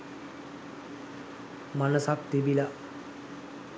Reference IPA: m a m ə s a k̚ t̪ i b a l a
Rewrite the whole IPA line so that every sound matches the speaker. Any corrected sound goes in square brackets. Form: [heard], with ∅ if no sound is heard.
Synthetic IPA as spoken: m a [n] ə s a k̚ t̪ i b [i] l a